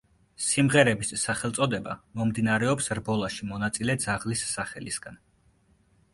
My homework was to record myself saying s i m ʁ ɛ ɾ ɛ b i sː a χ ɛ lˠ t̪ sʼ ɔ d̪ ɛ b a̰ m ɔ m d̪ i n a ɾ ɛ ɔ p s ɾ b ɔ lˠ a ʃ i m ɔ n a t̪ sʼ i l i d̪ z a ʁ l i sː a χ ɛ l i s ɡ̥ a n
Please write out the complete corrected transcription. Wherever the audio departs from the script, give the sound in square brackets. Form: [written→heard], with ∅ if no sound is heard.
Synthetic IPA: s i m ʁ ɛ ɾ ɛ b i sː a χ ɛ lˠ t̪ sʼ ɔ d̪ ɛ b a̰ m ɔ m d̪ i n a ɾ ɛ ɔ p s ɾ b ɔ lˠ a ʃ i m ɔ n a t̪ sʼ i l [i→ɛ] d̪ z a ʁ l i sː a χ ɛ l i s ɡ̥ a n